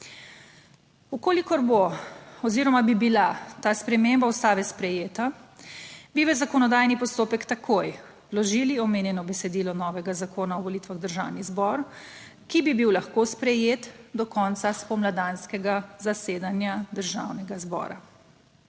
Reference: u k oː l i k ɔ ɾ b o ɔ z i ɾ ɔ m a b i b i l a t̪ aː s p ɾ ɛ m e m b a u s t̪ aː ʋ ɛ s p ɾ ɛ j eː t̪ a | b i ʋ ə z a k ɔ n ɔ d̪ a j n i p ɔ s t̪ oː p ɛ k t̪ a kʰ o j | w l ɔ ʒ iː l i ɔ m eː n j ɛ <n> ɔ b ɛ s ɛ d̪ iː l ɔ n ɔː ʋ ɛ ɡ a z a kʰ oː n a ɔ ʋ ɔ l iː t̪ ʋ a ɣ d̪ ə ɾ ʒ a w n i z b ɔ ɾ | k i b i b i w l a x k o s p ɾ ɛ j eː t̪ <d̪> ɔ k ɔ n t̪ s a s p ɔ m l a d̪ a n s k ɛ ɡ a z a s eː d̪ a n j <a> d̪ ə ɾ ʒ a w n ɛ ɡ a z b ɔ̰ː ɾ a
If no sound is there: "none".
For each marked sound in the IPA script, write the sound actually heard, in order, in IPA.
n, d̪, a

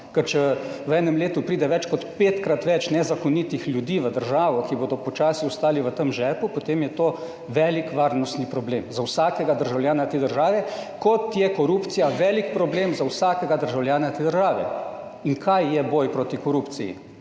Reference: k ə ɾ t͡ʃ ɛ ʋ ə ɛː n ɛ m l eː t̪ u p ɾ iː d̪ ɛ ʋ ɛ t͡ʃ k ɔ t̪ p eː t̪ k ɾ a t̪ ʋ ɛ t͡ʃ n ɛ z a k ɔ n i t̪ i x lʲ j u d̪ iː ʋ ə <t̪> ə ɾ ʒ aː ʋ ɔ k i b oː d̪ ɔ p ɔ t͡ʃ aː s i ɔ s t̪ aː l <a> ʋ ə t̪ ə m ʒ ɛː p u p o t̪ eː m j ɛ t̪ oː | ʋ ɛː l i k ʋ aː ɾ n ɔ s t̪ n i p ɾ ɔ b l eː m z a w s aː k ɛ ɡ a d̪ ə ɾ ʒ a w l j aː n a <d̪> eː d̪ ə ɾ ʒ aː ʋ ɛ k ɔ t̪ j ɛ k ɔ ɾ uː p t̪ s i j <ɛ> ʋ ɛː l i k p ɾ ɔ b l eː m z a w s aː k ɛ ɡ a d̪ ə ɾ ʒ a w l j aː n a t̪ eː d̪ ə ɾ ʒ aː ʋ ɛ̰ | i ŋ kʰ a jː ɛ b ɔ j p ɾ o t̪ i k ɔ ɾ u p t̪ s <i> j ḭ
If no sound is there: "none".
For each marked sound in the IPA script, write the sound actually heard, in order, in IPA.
d̪, i, t̪, a, i

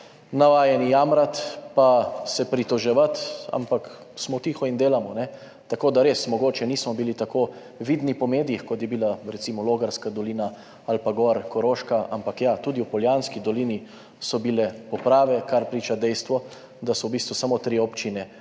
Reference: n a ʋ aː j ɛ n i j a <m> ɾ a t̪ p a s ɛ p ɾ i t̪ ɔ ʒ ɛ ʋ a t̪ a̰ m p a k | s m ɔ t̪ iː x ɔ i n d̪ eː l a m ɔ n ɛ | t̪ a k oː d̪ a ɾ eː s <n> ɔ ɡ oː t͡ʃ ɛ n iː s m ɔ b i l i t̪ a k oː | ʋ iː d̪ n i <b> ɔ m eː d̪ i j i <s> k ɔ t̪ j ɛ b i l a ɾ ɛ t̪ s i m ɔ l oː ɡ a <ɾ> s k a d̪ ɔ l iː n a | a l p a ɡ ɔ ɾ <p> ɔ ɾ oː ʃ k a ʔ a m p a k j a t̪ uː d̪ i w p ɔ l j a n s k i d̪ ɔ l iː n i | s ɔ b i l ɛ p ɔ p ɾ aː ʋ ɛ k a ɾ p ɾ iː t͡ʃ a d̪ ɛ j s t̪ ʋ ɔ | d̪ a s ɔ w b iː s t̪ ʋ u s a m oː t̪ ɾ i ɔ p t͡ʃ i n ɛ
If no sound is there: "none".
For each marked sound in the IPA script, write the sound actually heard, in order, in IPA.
m, m, p, x, ɾ, k

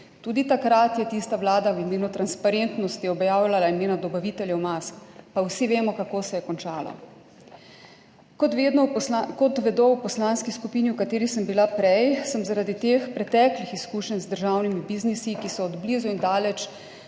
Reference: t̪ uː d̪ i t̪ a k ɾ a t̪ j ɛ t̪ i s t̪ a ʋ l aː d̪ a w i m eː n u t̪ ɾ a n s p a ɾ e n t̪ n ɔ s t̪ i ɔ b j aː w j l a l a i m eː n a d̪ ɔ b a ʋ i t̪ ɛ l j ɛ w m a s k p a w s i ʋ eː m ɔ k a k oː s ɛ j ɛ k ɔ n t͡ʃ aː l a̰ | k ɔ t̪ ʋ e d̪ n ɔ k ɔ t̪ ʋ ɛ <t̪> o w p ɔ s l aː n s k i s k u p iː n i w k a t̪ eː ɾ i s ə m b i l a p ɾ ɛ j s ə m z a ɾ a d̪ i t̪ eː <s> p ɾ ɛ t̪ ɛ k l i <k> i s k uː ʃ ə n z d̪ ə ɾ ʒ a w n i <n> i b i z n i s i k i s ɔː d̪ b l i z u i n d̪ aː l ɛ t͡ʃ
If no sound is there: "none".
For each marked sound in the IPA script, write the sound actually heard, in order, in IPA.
d̪, x, x, m

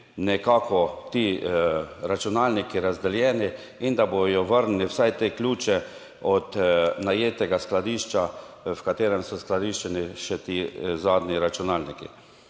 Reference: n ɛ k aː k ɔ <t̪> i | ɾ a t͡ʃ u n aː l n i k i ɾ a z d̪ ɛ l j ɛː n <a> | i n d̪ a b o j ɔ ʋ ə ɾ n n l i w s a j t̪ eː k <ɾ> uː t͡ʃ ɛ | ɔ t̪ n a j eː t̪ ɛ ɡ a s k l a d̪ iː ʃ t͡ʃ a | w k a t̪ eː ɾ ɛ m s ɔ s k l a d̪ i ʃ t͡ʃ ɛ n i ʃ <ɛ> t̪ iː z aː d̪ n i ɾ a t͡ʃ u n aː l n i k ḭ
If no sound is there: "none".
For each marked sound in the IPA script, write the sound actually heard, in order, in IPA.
t̪, i, l, ɛ

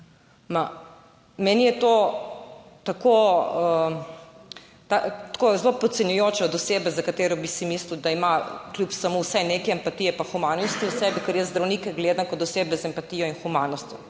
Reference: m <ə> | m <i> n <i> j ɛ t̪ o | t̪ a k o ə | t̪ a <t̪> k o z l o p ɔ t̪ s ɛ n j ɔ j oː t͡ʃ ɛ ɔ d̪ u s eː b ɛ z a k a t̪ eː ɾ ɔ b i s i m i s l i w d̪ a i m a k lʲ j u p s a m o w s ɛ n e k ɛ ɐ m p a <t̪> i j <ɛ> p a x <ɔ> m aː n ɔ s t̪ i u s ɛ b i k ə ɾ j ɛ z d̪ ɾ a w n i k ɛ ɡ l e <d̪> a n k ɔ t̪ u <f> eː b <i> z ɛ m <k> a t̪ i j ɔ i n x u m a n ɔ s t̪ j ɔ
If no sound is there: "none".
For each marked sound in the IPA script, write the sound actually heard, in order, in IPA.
a, ɛ, i, t̪, t̪, ɛ, u, d̪, s, ɛ, p

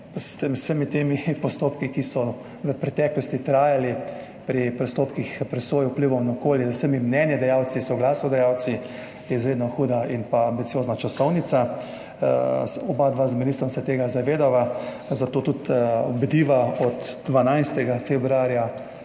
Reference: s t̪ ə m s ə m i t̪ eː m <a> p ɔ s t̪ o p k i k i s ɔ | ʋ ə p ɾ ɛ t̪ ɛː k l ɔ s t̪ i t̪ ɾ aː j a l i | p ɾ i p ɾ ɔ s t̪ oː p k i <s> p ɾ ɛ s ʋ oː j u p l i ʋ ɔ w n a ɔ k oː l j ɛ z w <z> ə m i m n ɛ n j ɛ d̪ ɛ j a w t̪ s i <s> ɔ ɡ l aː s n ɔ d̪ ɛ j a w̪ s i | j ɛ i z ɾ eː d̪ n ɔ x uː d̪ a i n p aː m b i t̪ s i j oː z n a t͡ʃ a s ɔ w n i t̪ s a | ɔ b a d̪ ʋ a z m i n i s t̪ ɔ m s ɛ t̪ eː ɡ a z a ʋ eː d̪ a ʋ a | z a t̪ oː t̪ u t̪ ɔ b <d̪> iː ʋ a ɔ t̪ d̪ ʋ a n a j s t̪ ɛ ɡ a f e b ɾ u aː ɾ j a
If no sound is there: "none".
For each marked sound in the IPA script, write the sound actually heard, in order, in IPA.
i, x, s, s, d̪

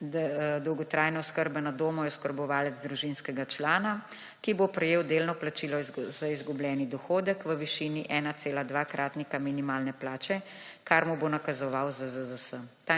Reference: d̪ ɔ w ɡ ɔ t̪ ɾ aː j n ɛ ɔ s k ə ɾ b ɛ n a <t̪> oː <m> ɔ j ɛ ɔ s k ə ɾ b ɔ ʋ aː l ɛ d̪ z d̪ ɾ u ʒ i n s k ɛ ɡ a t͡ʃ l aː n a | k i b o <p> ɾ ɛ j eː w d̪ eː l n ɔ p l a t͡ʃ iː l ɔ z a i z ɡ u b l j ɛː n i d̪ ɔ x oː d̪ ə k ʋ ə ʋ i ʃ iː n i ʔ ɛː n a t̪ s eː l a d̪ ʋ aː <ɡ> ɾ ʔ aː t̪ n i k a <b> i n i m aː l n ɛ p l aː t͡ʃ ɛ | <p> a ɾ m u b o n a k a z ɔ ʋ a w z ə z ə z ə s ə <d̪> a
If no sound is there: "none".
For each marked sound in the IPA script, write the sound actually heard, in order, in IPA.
d̪, m, p, k, m, k, t̪

